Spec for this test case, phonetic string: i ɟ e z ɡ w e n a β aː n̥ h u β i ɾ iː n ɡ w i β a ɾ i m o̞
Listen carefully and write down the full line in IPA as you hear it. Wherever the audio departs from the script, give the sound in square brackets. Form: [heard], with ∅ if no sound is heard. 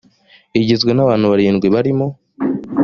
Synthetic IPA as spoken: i ɟ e z ɡ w e n a β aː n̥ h u β [a] ɾ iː n ɡ w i β a ɾ i m o̞